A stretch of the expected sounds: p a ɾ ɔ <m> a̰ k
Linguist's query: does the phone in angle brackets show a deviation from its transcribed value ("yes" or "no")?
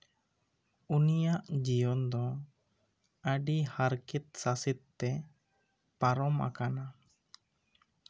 no